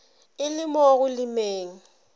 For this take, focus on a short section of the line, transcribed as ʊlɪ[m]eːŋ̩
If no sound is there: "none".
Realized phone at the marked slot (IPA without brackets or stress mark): m